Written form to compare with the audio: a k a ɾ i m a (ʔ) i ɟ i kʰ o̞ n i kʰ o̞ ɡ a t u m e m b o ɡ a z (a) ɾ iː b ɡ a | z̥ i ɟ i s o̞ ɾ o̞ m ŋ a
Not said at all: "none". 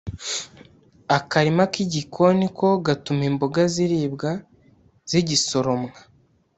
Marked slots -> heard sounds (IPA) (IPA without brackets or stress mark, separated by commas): k, i